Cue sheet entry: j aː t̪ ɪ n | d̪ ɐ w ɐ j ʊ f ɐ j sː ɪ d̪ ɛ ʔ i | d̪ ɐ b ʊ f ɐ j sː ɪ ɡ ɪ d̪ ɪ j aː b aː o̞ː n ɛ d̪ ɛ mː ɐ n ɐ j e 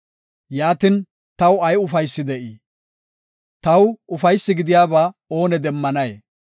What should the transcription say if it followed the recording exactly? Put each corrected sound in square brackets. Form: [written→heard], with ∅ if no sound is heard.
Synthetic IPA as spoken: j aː t̪ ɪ n | [d̪→t̪] ɐ w ɐ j ʊ f ɐ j sː ɪ d̪ ɛ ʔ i | [d̪→t̪] ɐ [b→w] ʊ f ɐ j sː ɪ ɡ ɪ d̪ ɪ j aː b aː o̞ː n ɛ d̪ ɛ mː ɐ n ɐ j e